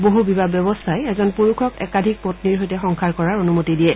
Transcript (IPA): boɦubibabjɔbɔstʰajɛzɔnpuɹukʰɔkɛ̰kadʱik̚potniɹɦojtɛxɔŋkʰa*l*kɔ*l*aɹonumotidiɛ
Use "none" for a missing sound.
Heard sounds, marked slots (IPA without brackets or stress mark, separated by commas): ɹ, ɹ